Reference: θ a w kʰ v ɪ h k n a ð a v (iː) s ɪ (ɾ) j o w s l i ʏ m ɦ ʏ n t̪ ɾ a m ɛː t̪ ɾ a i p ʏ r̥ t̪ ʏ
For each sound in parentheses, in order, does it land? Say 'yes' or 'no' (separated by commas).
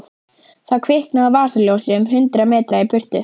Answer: no, no